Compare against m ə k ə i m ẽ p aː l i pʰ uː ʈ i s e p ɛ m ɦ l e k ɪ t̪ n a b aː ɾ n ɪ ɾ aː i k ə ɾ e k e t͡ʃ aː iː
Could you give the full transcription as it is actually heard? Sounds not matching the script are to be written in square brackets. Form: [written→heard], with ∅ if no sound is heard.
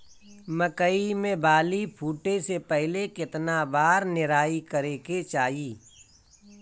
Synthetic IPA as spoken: m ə k ə i m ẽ [p→b] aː l i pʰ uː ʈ [i→e] s e p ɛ [m→∅] ɦ l e k ɪ t̪ n a b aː ɾ n ɪ ɾ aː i k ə ɾ e k e t͡ʃ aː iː